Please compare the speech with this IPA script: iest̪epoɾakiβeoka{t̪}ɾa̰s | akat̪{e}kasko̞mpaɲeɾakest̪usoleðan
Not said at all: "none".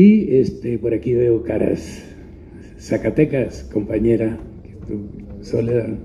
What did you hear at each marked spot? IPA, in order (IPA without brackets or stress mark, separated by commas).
none, e